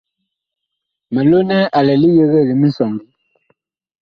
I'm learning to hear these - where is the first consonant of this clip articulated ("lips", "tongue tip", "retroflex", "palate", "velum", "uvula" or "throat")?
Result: lips